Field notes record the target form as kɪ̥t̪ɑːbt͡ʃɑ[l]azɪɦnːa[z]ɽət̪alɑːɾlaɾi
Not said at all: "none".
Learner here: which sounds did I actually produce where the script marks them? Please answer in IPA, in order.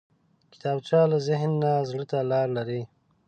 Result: l, z

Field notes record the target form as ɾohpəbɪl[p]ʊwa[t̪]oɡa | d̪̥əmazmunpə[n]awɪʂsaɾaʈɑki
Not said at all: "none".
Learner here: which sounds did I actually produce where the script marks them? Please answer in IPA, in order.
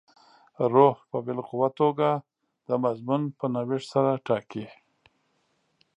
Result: q, t̪, n

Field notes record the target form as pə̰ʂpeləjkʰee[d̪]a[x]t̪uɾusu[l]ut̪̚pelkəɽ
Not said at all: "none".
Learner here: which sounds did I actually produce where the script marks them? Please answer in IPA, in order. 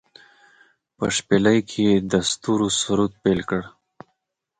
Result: d̪, s, ɾ

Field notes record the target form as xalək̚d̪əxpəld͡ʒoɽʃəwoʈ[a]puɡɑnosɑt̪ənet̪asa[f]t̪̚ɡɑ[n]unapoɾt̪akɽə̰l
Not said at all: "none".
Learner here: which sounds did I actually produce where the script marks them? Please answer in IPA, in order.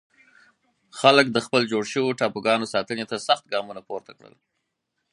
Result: ɑ, x, m

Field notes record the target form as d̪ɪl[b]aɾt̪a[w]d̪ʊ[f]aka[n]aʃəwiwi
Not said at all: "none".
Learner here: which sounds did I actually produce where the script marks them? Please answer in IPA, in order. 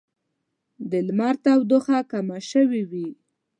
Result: m, w, x, m

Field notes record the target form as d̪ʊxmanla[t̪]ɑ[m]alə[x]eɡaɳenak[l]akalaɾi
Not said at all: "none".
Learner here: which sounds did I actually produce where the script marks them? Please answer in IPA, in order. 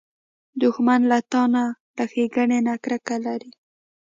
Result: t̪, n, x, ɾ

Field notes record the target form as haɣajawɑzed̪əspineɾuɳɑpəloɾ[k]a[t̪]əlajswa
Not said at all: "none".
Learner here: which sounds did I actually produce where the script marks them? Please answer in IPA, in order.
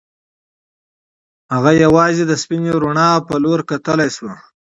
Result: k, t̪

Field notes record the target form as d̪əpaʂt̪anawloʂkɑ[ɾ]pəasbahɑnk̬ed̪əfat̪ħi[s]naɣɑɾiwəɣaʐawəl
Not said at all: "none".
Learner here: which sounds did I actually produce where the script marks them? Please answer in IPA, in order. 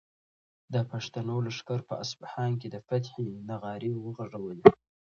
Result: ɾ, none

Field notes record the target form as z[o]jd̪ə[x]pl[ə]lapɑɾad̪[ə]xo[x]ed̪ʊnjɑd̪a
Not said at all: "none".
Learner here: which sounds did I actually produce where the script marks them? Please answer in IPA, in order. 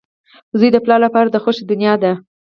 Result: u, none, ɑ, ə, ʃ

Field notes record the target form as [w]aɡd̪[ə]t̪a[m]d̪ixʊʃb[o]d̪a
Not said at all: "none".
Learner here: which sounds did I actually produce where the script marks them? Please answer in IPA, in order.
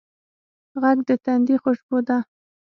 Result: ɣ, ə, n, o

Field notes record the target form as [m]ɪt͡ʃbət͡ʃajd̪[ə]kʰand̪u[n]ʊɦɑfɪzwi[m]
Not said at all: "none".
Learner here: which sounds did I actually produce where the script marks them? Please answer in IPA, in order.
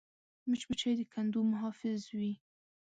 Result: m, ə, m, none

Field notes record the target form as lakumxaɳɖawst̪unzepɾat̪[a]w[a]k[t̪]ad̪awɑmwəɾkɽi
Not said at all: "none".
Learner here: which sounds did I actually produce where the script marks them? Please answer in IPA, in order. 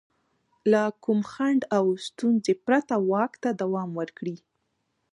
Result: a, ɑ, t̪

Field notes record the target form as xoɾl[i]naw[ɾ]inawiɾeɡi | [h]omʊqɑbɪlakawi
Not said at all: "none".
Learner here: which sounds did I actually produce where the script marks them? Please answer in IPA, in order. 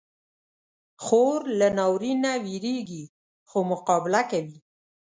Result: a, ɾ, x

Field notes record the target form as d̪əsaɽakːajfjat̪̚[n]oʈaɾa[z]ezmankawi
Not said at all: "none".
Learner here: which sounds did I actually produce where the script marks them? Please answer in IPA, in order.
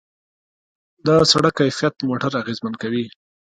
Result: m, ɣ

